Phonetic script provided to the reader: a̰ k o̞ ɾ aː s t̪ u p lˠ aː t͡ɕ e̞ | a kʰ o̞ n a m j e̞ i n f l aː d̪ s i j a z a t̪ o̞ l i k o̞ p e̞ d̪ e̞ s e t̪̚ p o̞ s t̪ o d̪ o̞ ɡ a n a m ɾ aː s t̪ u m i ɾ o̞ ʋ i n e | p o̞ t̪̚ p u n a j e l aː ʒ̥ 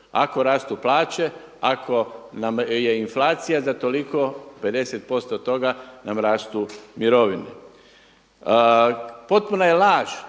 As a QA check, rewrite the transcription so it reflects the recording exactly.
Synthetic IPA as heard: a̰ k o̞ ɾ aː s t̪ u p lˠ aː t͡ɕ e̞ | a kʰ o̞ n a m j e̞ i n f l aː t̪ s i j a z a t̪ o̞ l i k o̞ p e̞ d̪ e̞ s e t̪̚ p o̞ s t̪ o t̪ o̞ ɡ a n a m ɾ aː s t̪ u m i ɾ o̞ ʋ i n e | p o̞ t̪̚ p u n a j e l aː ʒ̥